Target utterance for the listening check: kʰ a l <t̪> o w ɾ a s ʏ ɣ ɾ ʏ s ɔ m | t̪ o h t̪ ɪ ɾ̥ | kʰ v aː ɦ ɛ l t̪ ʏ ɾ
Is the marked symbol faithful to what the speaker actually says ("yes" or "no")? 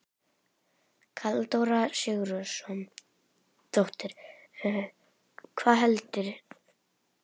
yes